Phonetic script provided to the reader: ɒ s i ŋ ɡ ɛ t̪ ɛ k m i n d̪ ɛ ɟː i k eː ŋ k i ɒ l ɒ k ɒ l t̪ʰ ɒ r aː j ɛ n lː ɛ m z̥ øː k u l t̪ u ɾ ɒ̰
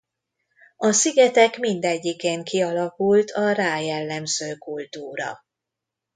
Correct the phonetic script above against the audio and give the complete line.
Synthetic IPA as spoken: ɒ s i ɡ ɛ t̪ ɛ k m i n d̪ ɛ ɟː i k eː ŋ k i ɒ l ɒ k u l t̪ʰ ɒ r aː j ɛ lː ɛ m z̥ øː k u l t̪ uː ɾ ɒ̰